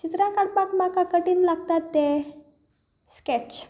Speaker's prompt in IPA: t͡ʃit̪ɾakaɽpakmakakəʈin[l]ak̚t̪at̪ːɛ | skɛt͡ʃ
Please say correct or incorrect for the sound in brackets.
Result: correct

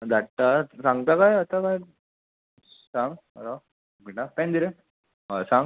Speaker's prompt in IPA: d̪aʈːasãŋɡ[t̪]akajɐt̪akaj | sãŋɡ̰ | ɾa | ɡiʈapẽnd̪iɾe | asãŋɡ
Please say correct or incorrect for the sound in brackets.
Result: correct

